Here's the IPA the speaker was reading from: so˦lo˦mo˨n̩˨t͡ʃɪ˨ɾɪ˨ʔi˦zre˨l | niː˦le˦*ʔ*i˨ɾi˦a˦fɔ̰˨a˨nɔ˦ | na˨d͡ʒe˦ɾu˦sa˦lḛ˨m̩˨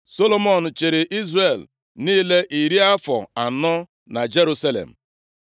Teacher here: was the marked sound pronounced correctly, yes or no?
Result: yes